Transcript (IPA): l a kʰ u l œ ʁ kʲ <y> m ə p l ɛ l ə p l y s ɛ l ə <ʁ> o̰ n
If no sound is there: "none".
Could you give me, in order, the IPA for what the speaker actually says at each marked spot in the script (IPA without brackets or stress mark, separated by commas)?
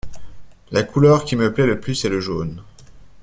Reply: i, ʒ